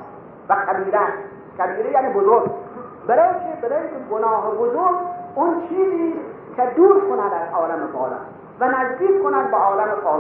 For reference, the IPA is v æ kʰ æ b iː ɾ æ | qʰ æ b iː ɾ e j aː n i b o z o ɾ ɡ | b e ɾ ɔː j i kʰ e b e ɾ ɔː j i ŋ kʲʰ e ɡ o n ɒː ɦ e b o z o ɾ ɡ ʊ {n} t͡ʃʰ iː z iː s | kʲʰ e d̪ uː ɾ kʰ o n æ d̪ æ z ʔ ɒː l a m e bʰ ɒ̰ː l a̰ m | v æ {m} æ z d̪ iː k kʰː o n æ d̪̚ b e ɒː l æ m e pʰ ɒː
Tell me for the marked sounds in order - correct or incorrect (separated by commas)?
correct, incorrect